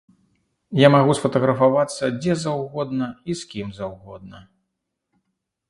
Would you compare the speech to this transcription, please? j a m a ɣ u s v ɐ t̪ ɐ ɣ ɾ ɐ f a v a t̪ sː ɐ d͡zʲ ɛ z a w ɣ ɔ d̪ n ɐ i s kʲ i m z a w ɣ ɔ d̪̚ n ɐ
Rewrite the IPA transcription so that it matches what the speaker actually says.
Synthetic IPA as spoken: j a m a ɣ u s f ɐ t̪ ɐ ɣ ɾ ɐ f a v a t̪ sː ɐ d͡zʲ ɛ z a w ɣ ɔ d̪ n ɐ i s kʲ i m z a w ɣ ɔ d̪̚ n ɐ

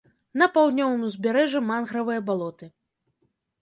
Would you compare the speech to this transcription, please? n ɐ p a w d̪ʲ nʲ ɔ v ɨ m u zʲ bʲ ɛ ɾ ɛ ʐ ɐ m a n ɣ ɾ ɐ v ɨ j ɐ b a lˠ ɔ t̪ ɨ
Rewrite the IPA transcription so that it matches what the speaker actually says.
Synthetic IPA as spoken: n ɐ p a w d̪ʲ nʲ ɔ v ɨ m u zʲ bʲ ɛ ɾ ɛ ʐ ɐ m a n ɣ ɾ ɐ v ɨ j ɐ b a lˠ ɔ t̪ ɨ

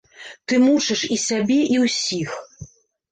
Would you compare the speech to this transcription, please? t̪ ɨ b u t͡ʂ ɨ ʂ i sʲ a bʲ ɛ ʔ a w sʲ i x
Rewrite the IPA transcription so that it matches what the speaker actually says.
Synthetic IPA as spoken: t̪ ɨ m u t͡ʂ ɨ ʂ i sʲ a bʲ ɛ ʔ i w sʲ i x

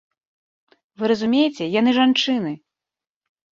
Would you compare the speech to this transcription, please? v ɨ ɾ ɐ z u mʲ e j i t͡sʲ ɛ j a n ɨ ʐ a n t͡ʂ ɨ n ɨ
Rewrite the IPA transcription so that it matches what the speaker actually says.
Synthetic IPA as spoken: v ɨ ɾ ɐ z u mʲ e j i t͡sʲ ɛ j a n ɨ ʐ a n t͡ʂ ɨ n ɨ

